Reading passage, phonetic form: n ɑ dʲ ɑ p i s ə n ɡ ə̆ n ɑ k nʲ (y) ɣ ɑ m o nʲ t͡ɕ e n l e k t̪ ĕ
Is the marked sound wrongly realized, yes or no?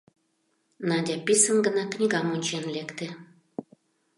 yes